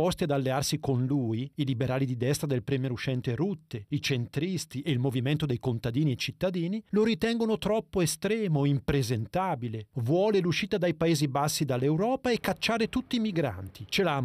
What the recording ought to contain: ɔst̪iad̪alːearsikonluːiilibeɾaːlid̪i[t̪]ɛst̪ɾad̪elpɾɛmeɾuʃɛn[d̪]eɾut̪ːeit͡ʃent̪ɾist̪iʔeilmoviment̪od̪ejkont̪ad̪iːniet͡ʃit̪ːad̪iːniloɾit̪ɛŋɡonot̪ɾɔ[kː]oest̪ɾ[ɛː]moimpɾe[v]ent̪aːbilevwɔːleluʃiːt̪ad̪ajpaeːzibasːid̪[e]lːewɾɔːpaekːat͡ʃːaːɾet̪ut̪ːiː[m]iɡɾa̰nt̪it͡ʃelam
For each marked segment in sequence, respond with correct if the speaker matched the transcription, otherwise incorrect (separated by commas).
incorrect, incorrect, incorrect, correct, incorrect, incorrect, correct